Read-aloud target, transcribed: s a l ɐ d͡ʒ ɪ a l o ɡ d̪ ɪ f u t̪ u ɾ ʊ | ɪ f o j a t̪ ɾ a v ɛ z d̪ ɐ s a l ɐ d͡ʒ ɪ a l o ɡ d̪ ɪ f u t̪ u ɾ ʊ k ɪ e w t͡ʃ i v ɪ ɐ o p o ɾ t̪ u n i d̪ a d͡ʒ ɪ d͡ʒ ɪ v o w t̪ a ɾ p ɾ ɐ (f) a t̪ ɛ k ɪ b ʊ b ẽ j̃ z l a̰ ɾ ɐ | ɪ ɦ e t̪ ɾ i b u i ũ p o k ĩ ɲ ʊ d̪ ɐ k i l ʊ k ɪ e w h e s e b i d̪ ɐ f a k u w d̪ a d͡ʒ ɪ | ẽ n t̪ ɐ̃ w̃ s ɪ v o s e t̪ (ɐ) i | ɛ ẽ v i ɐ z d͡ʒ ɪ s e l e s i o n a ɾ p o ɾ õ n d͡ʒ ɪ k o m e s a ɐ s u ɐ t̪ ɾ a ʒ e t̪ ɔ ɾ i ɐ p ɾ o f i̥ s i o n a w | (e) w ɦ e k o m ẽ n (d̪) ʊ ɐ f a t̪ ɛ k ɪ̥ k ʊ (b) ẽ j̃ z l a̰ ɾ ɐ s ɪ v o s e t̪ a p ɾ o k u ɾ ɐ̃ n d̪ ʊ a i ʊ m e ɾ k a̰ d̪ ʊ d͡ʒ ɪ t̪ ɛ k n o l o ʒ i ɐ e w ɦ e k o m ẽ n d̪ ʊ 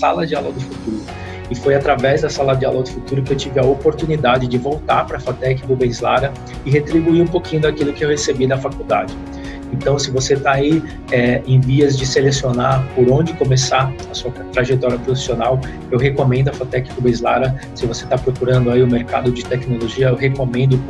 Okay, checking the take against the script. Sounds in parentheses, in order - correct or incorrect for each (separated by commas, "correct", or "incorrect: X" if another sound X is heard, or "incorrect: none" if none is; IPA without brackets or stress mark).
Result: correct, incorrect: a, correct, correct, correct